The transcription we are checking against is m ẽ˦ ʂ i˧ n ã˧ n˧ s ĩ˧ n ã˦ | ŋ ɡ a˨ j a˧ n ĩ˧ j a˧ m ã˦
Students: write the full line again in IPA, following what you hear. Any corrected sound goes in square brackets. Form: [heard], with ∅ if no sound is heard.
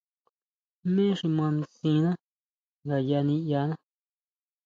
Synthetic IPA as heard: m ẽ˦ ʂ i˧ [m] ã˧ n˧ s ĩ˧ n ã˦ | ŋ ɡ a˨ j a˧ n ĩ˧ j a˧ [n] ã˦

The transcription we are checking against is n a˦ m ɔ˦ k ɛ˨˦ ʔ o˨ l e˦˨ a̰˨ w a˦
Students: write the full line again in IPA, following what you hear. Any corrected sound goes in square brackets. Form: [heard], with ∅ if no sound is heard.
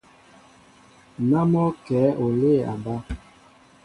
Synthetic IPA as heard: n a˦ m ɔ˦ k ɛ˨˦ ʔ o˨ l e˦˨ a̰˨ [b] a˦

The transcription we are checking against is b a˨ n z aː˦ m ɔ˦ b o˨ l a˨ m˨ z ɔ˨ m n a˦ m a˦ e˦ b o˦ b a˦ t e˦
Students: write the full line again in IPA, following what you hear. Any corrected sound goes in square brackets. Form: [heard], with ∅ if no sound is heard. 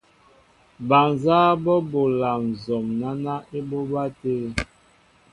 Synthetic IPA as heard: b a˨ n z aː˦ [b] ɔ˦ b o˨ l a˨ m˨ z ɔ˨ m n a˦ [n] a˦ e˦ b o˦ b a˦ t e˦

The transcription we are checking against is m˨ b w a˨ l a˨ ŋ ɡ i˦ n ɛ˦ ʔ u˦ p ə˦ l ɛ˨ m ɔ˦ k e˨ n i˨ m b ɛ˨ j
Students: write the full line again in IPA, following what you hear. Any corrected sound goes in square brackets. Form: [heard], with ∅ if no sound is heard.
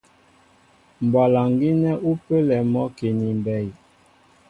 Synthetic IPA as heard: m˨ b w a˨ l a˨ ŋ ɡ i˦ n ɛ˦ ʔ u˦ p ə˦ l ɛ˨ m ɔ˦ k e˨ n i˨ m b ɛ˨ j

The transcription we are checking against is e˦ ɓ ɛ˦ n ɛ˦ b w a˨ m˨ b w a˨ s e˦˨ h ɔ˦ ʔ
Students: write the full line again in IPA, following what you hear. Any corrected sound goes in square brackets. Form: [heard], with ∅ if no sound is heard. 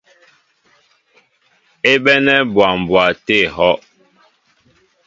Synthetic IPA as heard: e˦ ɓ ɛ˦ n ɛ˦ b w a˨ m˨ b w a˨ [t] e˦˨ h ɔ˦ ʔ

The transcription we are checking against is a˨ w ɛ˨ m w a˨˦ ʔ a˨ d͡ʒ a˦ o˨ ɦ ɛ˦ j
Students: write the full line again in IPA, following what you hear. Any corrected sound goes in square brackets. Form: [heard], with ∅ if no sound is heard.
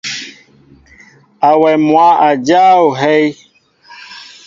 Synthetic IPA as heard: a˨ w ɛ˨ m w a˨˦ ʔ a˨ d͡ʒ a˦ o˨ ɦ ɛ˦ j

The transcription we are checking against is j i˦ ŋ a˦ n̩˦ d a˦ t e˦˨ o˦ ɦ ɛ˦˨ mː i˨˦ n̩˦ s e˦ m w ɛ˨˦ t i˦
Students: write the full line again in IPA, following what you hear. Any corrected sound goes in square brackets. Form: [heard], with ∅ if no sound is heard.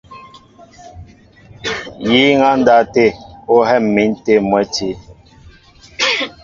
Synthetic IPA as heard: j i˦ ŋ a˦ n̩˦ d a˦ t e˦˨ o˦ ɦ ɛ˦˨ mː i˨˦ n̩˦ [t] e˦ m w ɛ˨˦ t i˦

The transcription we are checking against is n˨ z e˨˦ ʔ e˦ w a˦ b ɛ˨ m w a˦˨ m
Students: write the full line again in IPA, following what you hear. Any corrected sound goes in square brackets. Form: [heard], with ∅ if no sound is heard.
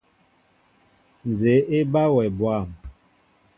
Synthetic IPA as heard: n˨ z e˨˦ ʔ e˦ [b] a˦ [w] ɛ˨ [b] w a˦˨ m

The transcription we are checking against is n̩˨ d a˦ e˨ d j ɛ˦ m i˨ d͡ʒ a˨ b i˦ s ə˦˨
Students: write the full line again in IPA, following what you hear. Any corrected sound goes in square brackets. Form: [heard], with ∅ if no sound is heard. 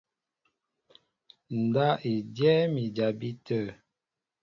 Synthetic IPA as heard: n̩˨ d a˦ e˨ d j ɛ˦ m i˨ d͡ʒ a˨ b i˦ [t] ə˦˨

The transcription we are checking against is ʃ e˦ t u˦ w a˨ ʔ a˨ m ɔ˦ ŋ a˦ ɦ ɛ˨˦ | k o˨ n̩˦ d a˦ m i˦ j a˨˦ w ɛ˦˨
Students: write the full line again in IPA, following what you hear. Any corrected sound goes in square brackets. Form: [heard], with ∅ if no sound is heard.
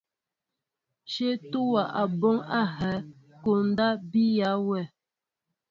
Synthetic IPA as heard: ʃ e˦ t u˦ w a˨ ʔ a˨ [b] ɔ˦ ŋ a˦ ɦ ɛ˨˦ | k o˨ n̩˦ d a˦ [b] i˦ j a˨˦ w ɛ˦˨

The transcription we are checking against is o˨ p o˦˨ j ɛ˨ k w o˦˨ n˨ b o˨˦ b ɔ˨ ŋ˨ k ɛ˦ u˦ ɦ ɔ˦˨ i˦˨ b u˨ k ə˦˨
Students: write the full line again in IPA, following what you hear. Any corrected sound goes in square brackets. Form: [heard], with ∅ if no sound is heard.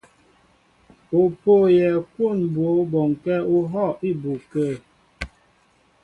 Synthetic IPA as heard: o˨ p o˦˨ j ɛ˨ k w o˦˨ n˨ b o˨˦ b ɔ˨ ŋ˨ k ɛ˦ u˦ ɦ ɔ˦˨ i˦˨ b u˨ k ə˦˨

